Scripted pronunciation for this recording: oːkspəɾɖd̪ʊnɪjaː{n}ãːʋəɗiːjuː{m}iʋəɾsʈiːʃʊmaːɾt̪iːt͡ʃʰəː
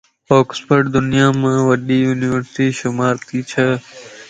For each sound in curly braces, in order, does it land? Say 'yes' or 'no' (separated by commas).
no, no